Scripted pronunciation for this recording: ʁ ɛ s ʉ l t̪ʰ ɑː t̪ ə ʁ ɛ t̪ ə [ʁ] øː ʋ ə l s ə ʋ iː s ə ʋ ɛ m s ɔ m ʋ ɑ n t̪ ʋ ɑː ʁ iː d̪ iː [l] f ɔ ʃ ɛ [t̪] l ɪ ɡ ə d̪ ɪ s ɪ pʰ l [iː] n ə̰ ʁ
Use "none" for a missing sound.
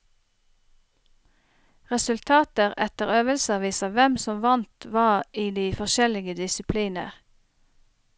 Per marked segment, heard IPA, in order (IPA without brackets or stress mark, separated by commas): ʁ, none, none, iː